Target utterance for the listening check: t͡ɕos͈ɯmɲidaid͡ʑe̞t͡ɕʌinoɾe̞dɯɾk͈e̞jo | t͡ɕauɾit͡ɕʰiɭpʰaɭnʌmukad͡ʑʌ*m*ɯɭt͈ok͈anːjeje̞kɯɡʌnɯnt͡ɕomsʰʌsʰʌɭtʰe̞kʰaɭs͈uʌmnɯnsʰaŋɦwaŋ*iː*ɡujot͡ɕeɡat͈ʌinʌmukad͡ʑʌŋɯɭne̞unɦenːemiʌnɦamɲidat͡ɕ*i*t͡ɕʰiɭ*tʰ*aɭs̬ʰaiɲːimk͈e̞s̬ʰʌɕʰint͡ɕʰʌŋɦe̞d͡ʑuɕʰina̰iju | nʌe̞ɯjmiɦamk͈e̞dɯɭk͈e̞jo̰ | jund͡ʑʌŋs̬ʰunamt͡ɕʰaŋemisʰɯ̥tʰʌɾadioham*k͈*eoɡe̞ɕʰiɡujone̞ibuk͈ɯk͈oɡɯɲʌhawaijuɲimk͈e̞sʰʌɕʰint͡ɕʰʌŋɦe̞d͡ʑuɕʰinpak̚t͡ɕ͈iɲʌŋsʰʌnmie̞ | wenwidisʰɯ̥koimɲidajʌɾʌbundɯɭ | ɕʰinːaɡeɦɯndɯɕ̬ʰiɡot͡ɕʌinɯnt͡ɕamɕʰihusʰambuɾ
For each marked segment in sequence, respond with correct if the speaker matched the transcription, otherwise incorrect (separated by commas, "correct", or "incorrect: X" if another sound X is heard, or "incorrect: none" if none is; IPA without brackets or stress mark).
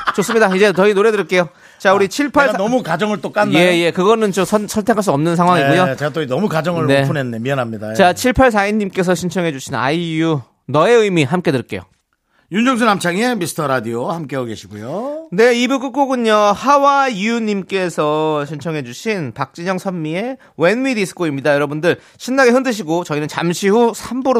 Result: incorrect: ŋ, incorrect: i, incorrect: a, incorrect: pʰ, correct